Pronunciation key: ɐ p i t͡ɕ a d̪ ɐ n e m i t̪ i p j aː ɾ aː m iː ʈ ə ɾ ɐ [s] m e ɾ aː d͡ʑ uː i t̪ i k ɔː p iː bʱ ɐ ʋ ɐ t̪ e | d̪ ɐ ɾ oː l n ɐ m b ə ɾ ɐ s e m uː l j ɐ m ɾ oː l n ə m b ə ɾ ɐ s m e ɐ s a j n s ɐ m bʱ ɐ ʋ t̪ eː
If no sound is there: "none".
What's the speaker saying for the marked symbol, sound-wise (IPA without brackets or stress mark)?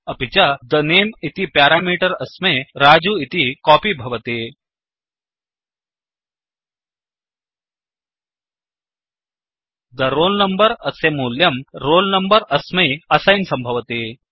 s